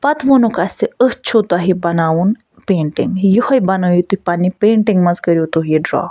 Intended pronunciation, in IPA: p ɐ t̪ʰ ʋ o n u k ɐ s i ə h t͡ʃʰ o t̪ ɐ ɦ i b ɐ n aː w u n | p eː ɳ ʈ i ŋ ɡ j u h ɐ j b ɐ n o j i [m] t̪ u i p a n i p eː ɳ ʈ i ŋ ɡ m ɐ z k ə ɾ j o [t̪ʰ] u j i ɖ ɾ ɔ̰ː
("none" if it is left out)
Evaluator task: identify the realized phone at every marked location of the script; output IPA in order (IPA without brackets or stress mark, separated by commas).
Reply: none, t̪